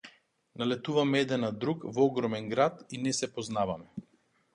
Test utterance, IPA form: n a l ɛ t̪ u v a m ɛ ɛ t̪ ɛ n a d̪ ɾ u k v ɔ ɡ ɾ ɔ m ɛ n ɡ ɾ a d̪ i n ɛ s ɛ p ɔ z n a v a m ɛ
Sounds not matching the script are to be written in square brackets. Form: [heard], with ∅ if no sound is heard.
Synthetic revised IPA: n a l ɛ t̪ u v a m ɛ ɛ [d̪] ɛ n a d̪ ɾ u k v ɔ ɡ ɾ ɔ m ɛ n ɡ ɾ a [t̪] i n ɛ s ɛ p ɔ z n a v a m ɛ